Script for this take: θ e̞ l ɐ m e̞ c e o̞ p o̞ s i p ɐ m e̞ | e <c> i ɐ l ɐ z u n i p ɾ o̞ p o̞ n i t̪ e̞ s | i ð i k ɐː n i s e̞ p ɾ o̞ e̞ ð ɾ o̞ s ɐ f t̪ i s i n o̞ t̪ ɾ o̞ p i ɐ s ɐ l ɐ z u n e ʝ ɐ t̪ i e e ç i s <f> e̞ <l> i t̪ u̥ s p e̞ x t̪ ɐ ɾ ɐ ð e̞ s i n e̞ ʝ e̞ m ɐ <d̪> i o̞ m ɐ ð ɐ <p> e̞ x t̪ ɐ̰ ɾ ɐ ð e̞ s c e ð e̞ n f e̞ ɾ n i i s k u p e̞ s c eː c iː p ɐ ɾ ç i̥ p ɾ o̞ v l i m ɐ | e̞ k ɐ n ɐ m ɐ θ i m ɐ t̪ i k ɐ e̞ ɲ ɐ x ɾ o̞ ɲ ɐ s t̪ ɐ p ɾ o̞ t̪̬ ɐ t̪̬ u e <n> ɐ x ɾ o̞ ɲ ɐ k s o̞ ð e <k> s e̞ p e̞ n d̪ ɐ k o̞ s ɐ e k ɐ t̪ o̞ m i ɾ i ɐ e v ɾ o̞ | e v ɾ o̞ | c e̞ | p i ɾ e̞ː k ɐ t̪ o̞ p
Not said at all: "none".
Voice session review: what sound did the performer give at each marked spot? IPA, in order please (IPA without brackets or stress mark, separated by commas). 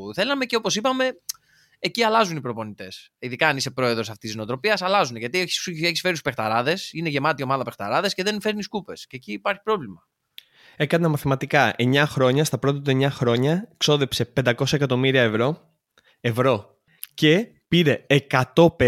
c, f, ɾ, t̪, p, ɲ, p